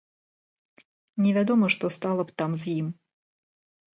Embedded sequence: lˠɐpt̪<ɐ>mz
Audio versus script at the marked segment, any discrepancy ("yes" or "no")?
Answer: yes